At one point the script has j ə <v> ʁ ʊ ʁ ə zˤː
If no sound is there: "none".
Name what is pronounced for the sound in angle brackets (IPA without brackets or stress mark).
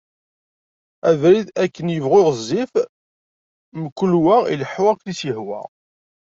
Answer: v